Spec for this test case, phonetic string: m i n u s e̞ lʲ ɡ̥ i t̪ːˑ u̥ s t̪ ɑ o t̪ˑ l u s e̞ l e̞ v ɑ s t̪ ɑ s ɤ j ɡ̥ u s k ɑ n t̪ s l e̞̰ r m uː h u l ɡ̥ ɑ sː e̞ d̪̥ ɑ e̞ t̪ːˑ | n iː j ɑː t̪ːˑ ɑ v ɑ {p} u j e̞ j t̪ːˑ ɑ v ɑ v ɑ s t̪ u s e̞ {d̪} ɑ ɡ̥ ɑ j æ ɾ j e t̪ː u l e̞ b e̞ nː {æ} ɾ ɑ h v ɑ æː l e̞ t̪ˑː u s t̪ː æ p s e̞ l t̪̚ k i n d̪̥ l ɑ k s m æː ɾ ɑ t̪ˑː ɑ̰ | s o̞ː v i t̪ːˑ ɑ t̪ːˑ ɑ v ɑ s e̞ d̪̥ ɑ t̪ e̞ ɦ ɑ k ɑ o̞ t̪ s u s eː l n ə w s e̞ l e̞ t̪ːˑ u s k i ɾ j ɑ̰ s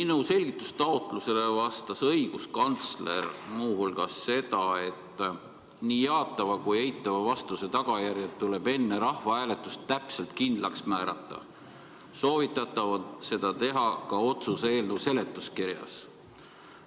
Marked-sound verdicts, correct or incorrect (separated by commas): incorrect, incorrect, incorrect